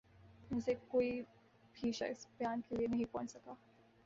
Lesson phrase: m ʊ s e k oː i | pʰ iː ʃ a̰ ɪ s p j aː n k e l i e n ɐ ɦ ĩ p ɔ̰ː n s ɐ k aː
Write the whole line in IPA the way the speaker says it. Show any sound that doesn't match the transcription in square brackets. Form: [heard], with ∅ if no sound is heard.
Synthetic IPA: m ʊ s e k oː i | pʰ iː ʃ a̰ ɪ s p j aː n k e l i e n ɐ ɦ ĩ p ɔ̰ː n s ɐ k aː